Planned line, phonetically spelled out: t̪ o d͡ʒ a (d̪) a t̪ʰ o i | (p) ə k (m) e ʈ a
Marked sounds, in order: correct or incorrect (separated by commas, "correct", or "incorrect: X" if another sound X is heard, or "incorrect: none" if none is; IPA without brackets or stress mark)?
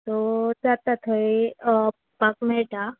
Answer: incorrect: t̪, correct, correct